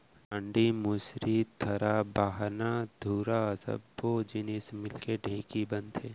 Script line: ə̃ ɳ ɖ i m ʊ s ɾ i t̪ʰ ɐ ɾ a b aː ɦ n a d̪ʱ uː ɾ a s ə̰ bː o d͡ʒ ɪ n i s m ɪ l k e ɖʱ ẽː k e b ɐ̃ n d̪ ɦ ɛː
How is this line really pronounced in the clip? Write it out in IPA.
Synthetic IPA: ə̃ ɳ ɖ i m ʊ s ɾ i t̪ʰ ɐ ɾ a b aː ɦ n a d̪ʱ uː ɾ a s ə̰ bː o d͡ʒ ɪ n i s m ɪ l k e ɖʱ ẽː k i b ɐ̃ n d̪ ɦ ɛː